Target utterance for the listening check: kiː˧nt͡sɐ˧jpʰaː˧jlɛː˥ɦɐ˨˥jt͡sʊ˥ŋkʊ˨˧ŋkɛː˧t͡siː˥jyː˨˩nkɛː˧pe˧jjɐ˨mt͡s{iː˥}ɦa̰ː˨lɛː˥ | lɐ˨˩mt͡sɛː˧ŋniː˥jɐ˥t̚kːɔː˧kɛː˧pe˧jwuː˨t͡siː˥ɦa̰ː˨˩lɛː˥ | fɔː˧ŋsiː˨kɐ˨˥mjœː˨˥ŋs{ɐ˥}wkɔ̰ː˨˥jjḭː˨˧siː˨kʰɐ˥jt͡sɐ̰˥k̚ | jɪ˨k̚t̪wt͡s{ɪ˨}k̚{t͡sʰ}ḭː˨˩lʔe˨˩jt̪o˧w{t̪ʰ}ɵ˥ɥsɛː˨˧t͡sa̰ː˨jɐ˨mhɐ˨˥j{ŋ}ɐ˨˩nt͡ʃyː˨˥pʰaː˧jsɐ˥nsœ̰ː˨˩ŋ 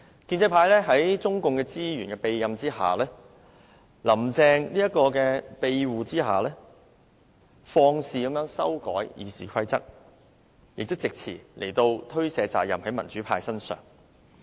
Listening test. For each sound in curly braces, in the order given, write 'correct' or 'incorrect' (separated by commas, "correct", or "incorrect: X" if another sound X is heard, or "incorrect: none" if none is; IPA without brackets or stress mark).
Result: correct, correct, correct, correct, correct, incorrect: m